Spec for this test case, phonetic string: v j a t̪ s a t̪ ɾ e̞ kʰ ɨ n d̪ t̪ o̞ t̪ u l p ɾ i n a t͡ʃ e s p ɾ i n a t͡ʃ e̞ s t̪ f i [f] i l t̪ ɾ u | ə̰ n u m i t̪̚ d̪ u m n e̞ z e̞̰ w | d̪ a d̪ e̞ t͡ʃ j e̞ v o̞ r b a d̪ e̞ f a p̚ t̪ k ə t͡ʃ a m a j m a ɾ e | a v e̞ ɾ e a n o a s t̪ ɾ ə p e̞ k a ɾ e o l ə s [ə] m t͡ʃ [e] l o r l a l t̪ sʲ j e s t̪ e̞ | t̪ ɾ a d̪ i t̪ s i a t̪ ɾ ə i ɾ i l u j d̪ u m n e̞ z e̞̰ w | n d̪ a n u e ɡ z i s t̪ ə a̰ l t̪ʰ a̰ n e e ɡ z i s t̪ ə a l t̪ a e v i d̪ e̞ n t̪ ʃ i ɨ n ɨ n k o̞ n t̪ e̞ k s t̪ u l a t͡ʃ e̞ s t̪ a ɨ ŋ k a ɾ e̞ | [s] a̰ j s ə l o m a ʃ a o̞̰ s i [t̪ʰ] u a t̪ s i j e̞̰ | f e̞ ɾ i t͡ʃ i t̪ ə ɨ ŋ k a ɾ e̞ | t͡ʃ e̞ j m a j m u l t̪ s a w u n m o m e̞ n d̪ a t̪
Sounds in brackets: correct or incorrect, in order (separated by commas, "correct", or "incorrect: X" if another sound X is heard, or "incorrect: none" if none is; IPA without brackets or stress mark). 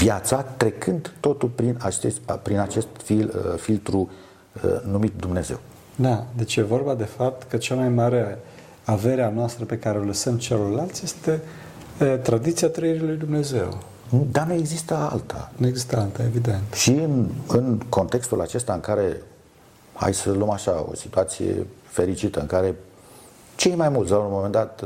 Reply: correct, correct, correct, incorrect: h, incorrect: t̪